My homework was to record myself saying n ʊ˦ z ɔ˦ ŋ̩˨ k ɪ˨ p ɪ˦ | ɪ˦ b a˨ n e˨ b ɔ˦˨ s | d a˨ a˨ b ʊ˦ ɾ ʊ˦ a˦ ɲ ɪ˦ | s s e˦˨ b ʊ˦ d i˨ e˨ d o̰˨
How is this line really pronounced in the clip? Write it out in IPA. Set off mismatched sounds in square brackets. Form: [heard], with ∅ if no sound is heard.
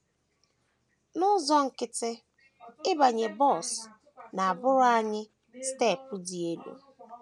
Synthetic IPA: n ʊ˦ z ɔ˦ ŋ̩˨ k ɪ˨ [t] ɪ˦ | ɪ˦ b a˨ [ɲ] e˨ b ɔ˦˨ s | [n] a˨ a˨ b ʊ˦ ɾ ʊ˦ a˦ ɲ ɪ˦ | s [t] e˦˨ [p] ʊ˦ d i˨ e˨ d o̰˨